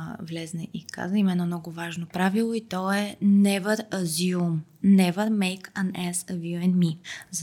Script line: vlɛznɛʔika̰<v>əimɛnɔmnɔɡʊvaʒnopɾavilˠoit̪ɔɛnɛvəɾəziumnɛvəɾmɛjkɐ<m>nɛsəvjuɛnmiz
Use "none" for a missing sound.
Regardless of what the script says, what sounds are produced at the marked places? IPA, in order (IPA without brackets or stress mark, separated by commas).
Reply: z, none